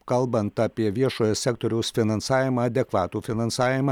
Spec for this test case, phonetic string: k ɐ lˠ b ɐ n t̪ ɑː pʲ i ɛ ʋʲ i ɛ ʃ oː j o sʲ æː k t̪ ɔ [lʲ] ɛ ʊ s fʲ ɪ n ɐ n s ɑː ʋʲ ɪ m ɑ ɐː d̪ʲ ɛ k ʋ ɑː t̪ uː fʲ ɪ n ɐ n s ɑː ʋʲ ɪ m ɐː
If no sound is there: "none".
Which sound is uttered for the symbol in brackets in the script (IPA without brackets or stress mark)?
ɾʲ